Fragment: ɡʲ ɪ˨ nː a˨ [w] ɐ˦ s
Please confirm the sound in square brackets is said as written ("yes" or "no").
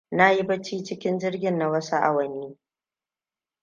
yes